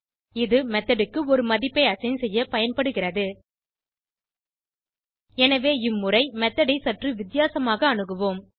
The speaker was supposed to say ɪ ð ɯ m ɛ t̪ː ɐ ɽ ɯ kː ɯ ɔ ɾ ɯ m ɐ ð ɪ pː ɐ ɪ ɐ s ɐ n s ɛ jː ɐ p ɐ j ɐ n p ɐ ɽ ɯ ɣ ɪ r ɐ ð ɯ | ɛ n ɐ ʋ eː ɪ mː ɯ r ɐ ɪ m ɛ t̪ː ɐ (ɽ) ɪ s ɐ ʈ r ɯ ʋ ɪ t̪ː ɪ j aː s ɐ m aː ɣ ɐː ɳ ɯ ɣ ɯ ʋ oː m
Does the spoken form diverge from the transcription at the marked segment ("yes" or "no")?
no